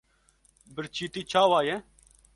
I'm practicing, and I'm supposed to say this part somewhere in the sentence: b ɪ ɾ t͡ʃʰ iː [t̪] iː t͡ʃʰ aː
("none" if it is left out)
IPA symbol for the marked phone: t̪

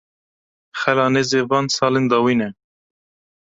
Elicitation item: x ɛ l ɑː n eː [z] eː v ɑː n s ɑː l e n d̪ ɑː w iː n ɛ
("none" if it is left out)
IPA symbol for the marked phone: z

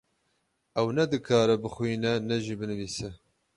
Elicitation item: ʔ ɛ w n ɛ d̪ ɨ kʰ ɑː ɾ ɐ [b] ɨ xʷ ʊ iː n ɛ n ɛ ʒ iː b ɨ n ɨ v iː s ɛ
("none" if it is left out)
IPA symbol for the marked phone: b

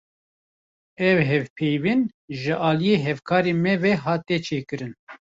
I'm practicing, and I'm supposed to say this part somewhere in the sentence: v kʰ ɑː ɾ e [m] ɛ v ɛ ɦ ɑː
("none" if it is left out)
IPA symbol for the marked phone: m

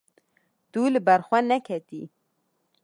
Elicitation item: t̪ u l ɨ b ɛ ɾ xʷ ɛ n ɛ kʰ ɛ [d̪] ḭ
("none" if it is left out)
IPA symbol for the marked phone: t̪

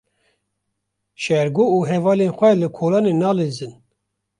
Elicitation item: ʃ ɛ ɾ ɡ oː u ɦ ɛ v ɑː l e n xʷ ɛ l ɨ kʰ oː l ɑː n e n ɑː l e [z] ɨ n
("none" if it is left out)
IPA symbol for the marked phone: z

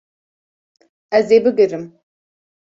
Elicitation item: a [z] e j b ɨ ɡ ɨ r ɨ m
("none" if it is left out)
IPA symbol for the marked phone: z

